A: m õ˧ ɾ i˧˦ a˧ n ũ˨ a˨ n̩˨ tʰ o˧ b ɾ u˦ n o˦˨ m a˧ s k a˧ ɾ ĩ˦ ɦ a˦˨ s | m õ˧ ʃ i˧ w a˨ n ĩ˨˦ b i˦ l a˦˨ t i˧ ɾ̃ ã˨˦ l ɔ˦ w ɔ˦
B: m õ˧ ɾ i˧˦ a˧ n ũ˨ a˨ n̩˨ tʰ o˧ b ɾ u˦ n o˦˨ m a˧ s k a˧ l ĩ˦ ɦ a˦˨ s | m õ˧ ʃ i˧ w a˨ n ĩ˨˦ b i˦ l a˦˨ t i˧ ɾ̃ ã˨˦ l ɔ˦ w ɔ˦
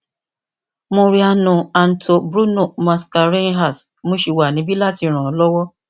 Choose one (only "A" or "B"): A